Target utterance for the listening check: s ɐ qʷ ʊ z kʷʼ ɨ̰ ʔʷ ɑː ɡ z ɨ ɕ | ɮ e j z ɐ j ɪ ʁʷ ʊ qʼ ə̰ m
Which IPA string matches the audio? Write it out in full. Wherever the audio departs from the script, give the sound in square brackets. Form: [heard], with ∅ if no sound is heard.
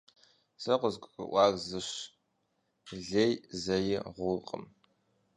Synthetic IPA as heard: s ɐ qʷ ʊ z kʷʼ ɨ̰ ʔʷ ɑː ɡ z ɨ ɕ | ɮ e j z ɐ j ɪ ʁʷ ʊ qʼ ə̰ m